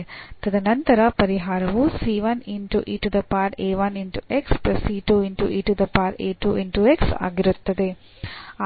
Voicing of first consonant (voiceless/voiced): voiceless